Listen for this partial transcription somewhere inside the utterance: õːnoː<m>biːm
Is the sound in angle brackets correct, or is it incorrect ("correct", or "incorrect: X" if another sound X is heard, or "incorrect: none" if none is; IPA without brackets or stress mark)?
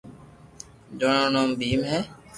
correct